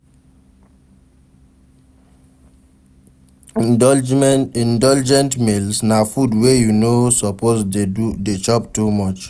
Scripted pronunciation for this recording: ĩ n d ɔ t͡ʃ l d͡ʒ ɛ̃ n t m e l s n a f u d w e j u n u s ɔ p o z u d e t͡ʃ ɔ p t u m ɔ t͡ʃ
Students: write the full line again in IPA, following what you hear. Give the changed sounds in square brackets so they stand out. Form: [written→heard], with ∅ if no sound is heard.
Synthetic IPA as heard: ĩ n d ɔ [t͡ʃ→∅] l d͡ʒ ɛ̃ n t m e l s n a f u d w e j u n [u→o] s ɔ p o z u d e t͡ʃ ɔ p t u m ɔ t͡ʃ